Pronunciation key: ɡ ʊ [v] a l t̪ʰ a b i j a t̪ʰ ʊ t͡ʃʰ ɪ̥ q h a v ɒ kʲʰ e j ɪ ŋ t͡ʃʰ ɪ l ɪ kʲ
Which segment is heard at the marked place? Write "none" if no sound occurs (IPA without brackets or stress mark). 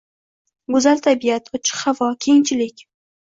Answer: z